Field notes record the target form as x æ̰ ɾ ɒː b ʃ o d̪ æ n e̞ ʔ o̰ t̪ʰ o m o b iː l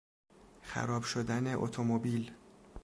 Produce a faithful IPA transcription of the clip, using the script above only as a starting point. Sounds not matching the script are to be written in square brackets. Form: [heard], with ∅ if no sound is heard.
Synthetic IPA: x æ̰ ɾ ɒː b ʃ o d̪ æ n e̞ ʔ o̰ t̪ʰ o m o b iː l